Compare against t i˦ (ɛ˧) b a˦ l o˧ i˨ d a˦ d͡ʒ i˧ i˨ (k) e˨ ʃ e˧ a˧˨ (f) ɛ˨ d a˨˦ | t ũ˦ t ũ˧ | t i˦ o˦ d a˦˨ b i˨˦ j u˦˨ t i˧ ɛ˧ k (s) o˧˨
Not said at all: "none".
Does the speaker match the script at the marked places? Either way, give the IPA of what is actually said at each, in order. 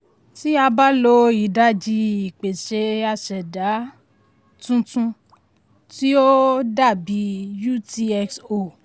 a˧, k͡p, ʃ, s

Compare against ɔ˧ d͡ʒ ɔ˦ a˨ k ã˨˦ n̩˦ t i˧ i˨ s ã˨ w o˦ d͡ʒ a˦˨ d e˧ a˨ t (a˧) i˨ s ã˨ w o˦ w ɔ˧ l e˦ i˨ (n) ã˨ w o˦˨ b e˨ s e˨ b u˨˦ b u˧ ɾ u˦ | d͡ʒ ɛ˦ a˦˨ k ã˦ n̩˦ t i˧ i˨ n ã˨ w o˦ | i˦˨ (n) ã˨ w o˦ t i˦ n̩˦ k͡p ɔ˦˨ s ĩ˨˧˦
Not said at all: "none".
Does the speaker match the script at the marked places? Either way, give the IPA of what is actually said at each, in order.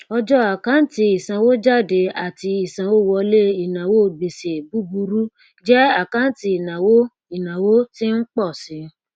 i˧, n, n

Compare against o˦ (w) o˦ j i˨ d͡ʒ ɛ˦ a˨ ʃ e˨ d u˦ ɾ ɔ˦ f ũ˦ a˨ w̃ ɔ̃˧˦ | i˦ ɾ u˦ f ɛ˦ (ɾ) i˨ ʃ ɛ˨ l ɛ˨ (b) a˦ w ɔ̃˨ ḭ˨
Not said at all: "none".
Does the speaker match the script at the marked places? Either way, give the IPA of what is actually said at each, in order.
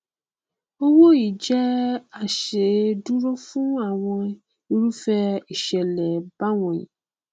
w, none, b

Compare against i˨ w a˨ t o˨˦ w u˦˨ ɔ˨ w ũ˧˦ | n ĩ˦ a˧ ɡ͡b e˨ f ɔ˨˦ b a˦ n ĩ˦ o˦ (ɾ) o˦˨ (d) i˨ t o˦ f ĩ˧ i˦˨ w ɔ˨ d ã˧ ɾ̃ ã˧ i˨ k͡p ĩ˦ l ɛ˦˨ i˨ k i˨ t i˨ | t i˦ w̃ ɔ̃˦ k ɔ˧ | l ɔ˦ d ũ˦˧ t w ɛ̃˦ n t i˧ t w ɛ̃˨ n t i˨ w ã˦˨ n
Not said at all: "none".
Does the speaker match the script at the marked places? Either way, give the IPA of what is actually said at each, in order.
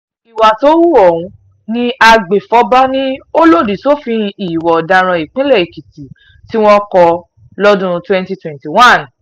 l, d

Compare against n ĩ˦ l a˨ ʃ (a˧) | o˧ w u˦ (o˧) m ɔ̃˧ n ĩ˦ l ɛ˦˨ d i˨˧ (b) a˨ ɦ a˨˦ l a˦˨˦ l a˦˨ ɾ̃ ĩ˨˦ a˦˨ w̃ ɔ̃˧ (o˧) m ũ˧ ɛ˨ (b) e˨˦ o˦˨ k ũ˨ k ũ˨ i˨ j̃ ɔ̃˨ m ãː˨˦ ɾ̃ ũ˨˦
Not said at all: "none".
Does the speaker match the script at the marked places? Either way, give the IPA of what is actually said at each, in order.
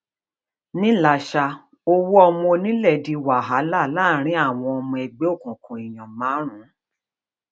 a˧, ɔ˧, w, ɔ˧, ɡ͡b

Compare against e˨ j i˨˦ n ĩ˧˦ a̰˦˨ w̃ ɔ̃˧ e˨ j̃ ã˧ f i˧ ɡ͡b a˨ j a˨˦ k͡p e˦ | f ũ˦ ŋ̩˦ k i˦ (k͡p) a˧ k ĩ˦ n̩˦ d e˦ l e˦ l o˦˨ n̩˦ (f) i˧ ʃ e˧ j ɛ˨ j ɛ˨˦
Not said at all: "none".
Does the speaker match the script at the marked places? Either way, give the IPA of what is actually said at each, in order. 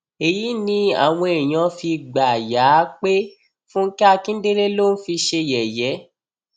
none, f

